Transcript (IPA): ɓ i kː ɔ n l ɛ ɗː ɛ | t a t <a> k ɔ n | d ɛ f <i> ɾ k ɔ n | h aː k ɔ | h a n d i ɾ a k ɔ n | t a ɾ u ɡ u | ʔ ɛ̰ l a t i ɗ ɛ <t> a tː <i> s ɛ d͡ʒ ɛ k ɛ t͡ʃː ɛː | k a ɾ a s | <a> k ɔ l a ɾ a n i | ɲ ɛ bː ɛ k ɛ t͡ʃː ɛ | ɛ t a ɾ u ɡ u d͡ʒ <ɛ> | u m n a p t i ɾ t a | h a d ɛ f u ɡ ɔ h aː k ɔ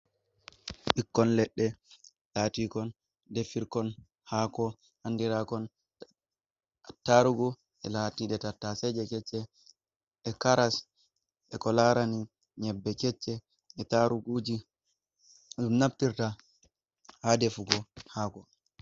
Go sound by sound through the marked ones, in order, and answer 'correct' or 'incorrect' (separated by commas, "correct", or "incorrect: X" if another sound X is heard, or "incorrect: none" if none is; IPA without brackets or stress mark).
incorrect: i, correct, correct, incorrect: a, incorrect: ɛ, incorrect: i